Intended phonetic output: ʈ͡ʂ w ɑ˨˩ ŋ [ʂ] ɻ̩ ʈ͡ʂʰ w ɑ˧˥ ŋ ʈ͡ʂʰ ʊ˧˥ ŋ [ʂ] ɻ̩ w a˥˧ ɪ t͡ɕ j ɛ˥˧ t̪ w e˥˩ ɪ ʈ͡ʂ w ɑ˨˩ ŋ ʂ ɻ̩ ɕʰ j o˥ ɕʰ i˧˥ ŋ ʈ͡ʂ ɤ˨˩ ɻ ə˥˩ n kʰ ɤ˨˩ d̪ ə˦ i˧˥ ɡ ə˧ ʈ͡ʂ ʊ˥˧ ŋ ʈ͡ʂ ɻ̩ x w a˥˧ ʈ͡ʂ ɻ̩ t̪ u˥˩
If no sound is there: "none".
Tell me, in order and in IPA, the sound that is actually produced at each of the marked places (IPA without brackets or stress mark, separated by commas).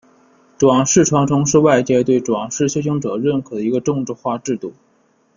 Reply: ʂ, ʂ